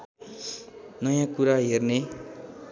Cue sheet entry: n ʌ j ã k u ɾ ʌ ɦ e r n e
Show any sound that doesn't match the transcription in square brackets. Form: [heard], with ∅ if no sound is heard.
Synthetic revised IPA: n ʌ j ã k u ɾ [a] ɦ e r n e